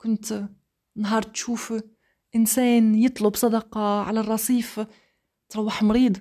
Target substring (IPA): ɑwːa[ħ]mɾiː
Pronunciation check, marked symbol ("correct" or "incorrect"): correct